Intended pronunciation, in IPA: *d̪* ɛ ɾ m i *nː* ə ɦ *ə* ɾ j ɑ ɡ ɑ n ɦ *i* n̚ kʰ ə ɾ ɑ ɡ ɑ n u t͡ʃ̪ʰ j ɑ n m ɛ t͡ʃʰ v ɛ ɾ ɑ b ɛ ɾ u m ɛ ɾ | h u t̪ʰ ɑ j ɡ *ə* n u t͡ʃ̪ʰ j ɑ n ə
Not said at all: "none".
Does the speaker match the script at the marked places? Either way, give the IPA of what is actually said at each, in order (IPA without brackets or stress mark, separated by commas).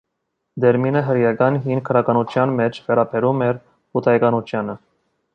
d̪, n, ə, i, ɑ